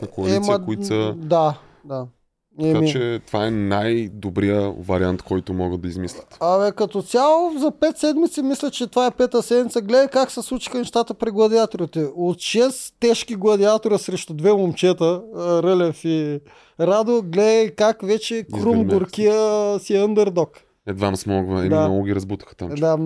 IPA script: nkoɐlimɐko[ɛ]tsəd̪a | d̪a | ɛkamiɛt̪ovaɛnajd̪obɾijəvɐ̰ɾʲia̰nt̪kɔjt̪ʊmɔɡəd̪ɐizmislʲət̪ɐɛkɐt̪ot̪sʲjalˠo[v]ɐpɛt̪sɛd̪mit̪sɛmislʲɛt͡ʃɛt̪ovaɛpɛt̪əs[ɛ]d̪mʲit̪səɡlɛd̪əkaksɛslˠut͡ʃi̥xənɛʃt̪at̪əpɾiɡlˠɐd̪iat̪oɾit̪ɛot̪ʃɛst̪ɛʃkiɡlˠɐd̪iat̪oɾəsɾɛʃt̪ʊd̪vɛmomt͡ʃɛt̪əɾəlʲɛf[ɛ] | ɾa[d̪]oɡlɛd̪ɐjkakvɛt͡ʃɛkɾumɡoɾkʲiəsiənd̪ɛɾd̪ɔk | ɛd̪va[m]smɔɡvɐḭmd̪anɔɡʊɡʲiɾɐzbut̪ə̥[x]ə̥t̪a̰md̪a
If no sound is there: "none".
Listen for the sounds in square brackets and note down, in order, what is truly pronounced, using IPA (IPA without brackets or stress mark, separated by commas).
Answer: i, z, ɛ, i, d̪, m, x